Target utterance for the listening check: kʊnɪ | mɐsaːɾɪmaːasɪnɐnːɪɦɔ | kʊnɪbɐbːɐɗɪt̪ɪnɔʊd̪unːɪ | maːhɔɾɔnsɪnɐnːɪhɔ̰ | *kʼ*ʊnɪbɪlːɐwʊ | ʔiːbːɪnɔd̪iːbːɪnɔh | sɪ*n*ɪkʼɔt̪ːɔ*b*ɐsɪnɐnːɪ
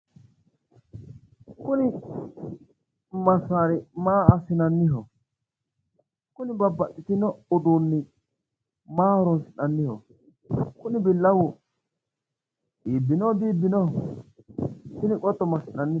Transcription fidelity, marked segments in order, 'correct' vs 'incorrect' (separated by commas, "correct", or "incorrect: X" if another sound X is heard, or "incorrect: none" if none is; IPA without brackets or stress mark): incorrect: k, correct, incorrect: m